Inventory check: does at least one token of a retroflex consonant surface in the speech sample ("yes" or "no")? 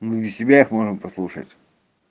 yes